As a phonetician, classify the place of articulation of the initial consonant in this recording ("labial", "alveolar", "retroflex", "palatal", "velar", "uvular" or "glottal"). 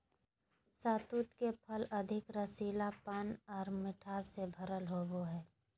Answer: alveolar